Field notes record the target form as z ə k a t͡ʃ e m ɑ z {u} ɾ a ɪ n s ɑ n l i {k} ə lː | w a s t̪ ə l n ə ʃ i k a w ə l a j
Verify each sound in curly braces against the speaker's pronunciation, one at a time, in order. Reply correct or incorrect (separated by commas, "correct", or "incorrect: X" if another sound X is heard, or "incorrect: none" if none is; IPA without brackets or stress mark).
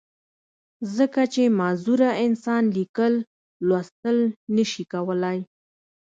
correct, correct